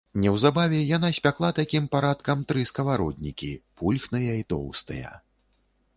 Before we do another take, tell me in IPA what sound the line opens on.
nʲ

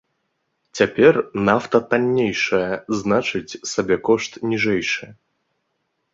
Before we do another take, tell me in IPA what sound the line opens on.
t͡sʲ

